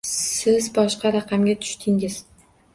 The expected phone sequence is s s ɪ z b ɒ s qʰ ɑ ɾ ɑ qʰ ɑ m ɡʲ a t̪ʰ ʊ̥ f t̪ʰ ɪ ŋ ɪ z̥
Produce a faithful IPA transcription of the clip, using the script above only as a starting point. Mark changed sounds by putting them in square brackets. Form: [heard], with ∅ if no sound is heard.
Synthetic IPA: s s ɪ z b ɒ [ʃ] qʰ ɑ ɾ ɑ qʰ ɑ m ɡʲ a t̪ʰ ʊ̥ [ʃ] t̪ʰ ɪ ŋ ɪ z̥